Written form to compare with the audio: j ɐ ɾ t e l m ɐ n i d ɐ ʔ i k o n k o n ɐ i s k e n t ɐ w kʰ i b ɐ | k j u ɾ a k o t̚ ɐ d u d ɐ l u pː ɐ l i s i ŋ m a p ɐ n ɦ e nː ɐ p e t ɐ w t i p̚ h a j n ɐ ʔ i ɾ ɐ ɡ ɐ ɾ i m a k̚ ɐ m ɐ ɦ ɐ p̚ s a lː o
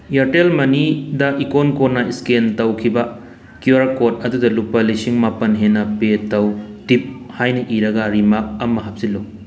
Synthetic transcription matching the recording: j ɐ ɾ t e l m ɐ n i d ɐ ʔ i k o n k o n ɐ i s k e n t ɐ w kʰ i b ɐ | k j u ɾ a k o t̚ ɐ d u d ɐ l u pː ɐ l i s i ŋ m a p ɐ n ɦ e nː ɐ p e t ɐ w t i p̚ h a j n ɐ ʔ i ɾ ɐ ɡ ɐ ɾ i m a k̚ ɐ m ɐ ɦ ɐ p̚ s i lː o